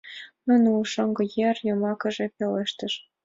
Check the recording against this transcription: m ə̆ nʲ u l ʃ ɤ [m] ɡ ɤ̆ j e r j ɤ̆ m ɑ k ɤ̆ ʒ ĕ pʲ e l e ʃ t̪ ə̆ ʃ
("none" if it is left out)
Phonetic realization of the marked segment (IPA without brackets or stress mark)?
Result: ŋ